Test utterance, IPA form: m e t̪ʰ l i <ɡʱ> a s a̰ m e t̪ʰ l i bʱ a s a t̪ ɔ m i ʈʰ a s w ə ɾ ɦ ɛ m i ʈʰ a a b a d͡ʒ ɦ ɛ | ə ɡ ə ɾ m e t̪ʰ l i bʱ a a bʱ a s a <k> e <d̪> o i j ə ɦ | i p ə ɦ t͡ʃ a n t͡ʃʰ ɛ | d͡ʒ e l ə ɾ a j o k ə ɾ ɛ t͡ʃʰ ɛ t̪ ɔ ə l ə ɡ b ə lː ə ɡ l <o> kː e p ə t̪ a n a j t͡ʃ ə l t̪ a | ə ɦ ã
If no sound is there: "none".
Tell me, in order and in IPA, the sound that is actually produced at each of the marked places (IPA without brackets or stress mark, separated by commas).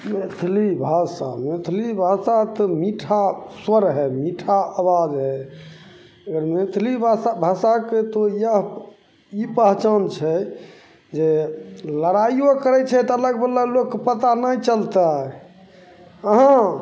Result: bʱ, k, t̪, o